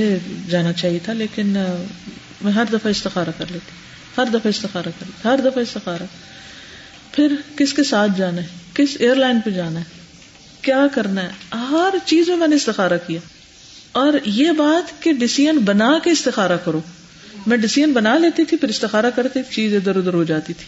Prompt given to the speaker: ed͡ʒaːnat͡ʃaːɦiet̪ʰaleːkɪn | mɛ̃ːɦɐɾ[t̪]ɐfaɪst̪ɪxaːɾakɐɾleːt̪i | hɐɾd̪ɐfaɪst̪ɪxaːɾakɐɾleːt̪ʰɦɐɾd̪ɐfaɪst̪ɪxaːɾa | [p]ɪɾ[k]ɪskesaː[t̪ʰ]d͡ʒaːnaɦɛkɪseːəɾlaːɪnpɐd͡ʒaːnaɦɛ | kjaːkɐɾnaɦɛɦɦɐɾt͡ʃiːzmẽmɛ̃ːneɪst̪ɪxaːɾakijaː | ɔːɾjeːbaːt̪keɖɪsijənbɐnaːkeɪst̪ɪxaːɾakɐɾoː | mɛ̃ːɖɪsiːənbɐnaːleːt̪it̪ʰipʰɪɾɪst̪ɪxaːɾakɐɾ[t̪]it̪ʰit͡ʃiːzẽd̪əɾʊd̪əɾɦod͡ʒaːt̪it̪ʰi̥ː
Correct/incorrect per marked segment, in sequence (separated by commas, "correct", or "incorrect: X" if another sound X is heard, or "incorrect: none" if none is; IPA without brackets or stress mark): incorrect: d̪, incorrect: pʰ, correct, correct, correct